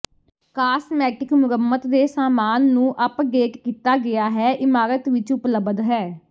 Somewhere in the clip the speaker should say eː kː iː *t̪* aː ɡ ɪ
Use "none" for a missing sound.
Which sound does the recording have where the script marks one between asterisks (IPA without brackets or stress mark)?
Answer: t̪